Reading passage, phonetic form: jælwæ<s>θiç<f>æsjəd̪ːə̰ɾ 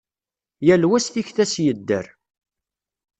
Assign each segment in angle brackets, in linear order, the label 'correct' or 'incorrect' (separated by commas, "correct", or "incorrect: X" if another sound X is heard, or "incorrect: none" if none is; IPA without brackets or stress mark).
correct, incorrect: θ